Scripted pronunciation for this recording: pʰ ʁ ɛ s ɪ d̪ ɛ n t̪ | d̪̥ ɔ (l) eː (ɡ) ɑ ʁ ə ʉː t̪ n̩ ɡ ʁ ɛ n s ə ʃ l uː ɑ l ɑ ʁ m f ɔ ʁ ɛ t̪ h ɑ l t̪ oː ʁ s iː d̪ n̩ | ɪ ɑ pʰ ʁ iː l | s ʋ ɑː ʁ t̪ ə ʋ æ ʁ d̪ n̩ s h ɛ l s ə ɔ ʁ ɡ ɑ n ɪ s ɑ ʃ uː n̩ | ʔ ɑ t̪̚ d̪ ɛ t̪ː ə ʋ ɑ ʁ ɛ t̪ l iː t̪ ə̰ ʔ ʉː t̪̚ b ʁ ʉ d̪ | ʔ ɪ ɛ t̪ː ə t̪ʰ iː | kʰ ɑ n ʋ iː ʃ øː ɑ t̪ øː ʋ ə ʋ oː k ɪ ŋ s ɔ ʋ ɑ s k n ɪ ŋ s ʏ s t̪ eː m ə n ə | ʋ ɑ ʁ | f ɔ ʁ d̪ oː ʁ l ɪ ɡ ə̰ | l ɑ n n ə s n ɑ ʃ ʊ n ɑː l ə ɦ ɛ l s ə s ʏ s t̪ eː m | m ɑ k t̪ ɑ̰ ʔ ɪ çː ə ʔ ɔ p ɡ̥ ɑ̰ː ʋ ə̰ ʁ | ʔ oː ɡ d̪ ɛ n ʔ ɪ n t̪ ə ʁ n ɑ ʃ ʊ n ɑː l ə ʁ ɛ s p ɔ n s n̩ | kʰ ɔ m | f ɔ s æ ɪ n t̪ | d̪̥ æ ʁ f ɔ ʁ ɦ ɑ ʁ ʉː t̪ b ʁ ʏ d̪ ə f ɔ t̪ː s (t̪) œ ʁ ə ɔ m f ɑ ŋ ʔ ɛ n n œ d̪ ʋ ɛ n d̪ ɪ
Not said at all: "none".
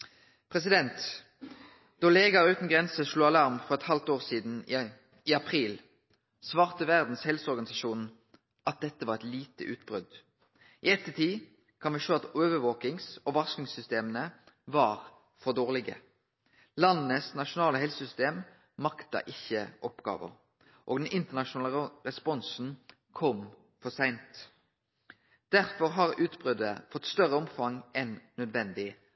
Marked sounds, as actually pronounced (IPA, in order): l, ɡ, t̪

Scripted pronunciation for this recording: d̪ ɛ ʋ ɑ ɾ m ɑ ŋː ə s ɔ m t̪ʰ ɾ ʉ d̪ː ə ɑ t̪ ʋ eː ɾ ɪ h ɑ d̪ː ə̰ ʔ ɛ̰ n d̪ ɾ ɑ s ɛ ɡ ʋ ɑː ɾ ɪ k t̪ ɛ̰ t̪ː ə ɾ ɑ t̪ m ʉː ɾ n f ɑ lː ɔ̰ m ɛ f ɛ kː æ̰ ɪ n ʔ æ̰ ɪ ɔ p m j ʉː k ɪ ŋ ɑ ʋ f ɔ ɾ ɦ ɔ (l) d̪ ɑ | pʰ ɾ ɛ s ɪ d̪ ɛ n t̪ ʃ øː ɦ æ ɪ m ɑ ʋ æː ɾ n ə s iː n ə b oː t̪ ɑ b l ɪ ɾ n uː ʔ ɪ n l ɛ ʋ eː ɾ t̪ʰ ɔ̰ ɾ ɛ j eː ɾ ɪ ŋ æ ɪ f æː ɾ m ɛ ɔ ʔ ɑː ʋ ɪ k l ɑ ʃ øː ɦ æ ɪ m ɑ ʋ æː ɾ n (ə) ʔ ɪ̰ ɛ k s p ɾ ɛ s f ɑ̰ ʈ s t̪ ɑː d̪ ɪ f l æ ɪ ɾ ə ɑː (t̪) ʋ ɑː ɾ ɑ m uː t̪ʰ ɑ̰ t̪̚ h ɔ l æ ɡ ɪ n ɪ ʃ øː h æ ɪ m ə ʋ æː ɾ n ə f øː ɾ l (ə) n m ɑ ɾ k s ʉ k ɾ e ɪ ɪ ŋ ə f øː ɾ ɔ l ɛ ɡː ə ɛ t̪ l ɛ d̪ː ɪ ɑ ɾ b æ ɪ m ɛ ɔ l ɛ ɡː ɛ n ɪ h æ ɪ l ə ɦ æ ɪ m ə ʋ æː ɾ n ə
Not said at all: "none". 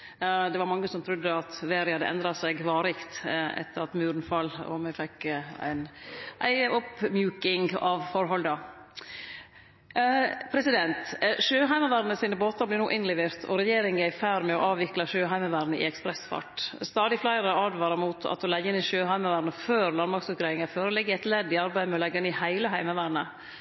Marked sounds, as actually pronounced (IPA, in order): l, ə, d̪, ɑ

